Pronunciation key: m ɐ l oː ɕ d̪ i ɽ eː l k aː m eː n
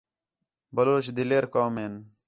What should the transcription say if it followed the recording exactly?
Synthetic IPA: b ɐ l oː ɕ d̪ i l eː ɾ k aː m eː n